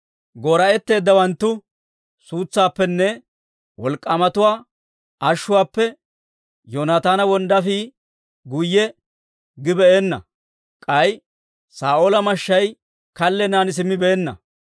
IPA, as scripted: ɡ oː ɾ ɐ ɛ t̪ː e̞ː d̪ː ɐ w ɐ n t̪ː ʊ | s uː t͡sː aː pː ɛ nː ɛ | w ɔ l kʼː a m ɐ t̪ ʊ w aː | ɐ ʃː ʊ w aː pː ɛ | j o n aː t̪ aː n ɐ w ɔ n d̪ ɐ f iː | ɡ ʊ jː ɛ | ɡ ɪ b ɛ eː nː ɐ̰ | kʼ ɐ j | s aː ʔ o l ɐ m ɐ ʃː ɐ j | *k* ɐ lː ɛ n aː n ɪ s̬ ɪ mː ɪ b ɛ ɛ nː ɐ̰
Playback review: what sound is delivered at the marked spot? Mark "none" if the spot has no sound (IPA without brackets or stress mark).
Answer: k